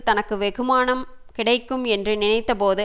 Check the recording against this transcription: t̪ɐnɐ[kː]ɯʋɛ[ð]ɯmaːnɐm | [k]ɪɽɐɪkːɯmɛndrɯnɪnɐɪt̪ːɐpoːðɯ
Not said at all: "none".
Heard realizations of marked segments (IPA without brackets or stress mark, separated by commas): kː, ɣ, k